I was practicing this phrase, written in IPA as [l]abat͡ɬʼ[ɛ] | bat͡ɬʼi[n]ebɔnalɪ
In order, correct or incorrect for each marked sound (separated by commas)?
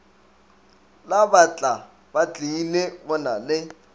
correct, incorrect, correct